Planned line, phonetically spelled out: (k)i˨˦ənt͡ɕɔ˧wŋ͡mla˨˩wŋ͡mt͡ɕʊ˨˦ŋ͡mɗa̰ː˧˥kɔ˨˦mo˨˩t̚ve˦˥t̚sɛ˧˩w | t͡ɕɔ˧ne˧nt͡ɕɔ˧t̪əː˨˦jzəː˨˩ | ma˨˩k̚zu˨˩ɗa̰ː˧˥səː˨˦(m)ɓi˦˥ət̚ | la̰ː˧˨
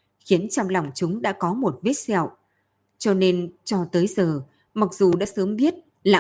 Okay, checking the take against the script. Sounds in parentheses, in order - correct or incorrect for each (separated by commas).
incorrect, correct